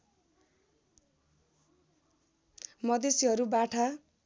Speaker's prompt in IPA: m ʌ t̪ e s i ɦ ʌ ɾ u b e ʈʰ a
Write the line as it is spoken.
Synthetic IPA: m ʌ d̪ e s i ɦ ʌ ɾ u b a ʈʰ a